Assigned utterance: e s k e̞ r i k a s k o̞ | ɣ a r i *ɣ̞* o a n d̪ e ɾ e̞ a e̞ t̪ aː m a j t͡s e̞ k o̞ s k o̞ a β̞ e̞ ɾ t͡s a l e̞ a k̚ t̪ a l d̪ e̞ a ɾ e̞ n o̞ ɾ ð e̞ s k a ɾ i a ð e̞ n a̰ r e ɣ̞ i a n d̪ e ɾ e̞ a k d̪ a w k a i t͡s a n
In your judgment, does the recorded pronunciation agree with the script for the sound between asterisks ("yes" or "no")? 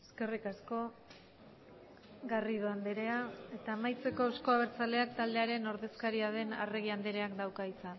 no